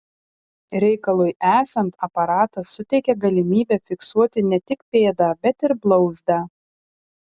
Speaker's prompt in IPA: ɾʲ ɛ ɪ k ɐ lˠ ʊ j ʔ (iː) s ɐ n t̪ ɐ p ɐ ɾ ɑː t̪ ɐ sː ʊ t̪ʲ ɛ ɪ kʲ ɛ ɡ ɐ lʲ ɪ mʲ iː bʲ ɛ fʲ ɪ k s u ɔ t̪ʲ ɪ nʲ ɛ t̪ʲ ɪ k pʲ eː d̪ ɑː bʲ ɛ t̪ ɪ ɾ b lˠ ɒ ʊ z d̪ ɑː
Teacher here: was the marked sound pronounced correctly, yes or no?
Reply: no